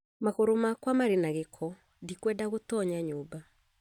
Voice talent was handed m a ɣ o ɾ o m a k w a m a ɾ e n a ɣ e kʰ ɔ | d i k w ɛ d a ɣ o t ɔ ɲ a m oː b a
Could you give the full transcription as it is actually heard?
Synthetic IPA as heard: m a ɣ o ɾ o m a k w a m a ɾ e n a ɣ e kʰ ɔ | d i k w ɛ d a ɣ o t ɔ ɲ a ɲ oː b a